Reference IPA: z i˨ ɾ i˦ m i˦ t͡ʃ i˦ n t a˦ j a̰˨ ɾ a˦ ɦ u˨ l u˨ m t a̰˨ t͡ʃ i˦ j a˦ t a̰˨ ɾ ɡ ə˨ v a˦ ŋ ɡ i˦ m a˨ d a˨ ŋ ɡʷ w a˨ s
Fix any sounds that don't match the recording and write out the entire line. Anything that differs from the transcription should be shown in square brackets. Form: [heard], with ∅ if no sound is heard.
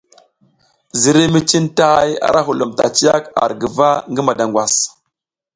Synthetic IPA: z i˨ ɾ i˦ m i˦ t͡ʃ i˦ n t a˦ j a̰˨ ɾ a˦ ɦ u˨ l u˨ m t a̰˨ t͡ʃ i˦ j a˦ [k] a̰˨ ɾ ɡ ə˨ v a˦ ŋ ɡ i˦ m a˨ d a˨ ŋ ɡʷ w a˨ s